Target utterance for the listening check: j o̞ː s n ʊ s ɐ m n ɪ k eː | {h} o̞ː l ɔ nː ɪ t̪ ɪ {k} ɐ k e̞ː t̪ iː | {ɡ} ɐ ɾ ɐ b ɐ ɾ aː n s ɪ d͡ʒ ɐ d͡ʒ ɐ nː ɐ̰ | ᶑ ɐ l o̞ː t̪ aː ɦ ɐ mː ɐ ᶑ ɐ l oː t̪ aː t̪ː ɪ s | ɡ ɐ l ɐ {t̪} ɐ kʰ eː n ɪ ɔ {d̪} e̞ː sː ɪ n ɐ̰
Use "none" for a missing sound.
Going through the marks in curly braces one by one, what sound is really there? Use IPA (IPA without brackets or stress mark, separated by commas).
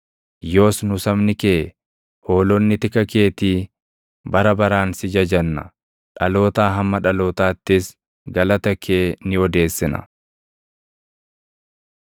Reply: h, k, b, t̪, d̪